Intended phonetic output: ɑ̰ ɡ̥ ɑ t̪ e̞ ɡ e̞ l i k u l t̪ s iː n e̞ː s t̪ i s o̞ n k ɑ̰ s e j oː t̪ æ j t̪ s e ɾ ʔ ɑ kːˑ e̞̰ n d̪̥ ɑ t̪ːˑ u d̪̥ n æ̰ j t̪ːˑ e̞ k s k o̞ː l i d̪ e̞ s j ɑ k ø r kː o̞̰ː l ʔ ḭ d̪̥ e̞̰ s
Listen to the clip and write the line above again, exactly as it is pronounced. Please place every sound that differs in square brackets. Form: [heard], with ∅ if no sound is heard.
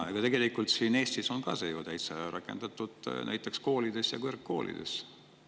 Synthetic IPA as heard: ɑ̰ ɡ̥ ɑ t̪ e̞ ɡ e̞ l i k u l t̪ s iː n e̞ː s t̪ i s o̞ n k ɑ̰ s e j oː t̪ æ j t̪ s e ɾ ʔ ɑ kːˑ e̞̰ n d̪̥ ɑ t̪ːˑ u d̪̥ n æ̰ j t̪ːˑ e̞ k s k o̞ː l i d̪ e̞ s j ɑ k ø r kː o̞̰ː l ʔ ḭ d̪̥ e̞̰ s